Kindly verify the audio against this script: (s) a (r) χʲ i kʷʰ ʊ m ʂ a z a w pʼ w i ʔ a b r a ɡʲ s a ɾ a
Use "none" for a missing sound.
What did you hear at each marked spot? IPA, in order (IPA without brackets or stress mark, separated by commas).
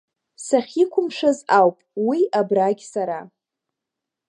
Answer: s, none